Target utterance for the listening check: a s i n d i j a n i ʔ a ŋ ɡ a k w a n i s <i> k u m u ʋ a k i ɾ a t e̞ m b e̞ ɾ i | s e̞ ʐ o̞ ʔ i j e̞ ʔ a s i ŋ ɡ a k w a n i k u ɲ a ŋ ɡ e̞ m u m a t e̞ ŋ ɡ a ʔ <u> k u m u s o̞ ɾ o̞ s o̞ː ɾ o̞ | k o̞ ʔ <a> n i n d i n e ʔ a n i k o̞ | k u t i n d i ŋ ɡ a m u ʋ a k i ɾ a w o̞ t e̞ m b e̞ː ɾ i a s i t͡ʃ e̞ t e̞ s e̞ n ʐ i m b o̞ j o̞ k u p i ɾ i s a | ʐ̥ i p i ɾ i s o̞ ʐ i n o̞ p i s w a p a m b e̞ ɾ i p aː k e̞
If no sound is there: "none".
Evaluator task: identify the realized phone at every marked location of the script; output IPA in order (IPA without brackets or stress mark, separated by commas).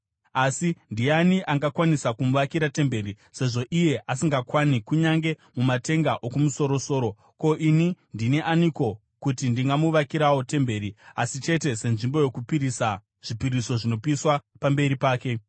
a, o, i